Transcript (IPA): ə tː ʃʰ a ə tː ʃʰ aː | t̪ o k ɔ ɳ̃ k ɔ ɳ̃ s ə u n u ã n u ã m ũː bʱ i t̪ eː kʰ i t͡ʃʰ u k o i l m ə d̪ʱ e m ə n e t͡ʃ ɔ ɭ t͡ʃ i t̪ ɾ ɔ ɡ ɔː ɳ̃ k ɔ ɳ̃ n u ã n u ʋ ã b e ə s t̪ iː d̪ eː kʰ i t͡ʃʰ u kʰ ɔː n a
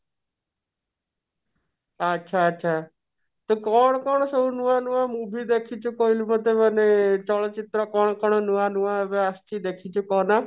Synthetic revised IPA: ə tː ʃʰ a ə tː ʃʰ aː | t̪ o k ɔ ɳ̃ k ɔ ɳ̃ s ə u n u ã n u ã m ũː bʱ i d̪ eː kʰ i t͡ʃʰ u k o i l m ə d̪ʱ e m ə n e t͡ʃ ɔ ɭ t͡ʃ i t̪ ɾ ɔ k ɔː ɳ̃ k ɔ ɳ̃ n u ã n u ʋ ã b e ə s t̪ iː d̪ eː kʰ i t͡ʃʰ u k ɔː n a